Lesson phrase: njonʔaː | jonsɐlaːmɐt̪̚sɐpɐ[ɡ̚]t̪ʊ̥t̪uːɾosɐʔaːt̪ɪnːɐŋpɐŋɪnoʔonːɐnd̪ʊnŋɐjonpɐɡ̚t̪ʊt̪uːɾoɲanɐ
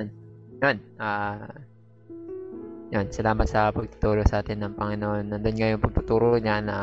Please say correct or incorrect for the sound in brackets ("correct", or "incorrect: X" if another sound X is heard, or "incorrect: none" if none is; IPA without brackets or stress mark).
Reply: correct